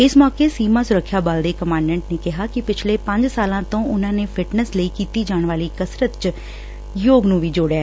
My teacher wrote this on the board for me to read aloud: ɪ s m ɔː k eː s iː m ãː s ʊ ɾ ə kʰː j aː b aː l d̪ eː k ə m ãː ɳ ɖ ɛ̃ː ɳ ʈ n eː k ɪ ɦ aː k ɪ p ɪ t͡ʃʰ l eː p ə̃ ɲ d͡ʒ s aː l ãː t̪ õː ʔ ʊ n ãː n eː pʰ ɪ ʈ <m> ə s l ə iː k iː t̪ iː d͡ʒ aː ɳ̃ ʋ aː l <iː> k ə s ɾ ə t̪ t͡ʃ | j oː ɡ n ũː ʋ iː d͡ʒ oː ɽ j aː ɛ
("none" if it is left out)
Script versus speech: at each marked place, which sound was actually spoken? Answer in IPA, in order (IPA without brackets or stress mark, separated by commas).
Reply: n, iː